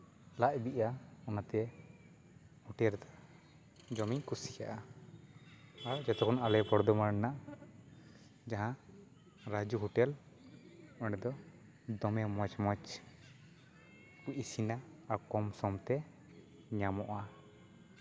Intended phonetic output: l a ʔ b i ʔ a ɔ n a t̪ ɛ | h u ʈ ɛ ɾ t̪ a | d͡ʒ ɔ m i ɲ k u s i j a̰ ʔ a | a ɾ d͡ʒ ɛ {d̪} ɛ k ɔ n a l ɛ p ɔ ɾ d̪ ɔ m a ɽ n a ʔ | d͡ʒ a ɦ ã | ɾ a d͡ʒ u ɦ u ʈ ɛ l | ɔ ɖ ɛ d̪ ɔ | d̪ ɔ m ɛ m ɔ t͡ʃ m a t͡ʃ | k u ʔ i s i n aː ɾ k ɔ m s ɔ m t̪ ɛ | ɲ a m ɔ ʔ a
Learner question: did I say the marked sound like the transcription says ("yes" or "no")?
no